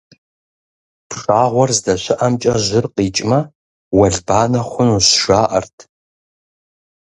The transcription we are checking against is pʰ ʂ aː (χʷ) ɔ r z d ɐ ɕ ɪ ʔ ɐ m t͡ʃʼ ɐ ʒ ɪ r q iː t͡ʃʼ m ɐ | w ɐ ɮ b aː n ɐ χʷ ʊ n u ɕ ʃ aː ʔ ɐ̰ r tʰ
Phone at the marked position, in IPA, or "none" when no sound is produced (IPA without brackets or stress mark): ʁʷ